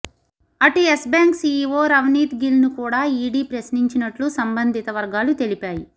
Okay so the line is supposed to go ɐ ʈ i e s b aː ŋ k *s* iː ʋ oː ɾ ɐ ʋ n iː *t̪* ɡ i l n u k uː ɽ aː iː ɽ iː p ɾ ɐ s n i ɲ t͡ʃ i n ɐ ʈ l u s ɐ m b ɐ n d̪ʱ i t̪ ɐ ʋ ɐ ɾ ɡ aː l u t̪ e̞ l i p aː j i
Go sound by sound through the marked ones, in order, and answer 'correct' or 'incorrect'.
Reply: correct, correct

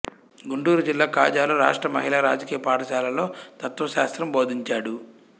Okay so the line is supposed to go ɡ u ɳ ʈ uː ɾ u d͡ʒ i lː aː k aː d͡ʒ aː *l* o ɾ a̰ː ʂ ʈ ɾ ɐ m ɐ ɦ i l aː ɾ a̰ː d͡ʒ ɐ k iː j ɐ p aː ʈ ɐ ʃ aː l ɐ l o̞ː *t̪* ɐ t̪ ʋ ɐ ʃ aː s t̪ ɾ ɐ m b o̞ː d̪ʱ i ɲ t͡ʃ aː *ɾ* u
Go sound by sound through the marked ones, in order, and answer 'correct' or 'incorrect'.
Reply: correct, correct, incorrect: ɽ

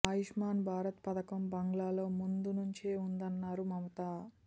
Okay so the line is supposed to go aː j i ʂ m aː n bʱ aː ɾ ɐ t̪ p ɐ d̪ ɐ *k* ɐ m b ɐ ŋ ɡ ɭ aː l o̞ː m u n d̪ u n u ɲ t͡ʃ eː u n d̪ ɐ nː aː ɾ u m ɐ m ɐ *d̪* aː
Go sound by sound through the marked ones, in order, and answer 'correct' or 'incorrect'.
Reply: correct, incorrect: t̪

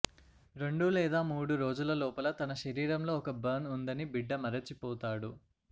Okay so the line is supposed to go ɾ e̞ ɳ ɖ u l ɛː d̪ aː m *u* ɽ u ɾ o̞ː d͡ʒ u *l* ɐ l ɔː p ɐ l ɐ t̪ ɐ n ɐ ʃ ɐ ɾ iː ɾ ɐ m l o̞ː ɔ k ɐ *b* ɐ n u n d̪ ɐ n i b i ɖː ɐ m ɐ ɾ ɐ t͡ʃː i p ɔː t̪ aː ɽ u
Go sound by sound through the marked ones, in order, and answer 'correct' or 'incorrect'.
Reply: incorrect: uː, correct, correct

